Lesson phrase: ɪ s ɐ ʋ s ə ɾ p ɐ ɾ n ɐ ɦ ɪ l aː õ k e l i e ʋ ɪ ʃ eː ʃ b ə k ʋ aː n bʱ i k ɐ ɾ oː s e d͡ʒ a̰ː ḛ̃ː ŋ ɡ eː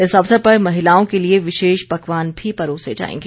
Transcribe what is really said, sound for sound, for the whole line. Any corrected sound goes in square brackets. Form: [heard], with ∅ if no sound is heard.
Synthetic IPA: ɪ s ɐ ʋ s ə ɾ p ɐ ɾ [m] ɐ ɦ ɪ l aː õ k e l i e ʋ ɪ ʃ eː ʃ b [ɐ] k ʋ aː n bʱ i [p] ɐ ɾ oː s e d͡ʒ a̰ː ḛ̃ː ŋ ɡ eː